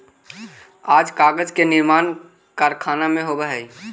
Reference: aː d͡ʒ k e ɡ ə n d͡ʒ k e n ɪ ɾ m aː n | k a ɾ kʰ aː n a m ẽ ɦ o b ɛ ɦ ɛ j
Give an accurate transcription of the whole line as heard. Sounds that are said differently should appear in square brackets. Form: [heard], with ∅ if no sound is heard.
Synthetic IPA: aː d͡ʒ k [a] ɡ ə [∅] d͡ʒ k e n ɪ ɾ m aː n | k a ɾ kʰ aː n a m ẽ ɦ o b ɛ ɦ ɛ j